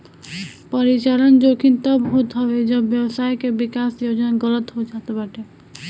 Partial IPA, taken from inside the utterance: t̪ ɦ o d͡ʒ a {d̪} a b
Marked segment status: incorrect: t̪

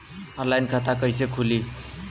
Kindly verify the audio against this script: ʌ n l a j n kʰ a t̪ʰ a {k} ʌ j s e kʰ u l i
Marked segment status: correct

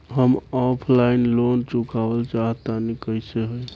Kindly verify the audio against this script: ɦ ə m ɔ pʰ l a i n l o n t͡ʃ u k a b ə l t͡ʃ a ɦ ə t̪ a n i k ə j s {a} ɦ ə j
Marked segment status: incorrect: e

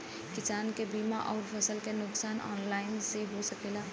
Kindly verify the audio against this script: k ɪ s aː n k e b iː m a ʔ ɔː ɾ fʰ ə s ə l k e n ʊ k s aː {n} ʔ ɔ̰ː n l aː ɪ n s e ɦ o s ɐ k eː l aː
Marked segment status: correct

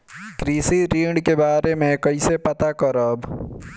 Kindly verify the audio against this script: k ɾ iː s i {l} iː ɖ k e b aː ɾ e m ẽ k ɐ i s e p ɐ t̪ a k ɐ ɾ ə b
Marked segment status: incorrect: ɾ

